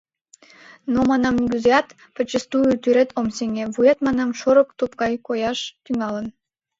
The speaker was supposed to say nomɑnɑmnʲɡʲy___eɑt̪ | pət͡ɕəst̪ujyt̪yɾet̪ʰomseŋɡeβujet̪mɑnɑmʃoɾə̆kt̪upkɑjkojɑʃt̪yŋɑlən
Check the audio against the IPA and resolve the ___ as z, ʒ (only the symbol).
z